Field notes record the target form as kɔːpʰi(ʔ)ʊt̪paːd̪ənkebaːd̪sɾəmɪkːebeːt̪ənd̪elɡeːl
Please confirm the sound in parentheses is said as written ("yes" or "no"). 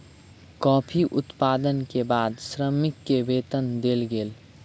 yes